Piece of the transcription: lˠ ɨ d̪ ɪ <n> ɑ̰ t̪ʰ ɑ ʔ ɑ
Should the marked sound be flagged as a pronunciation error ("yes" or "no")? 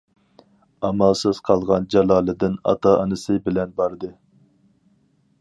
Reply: no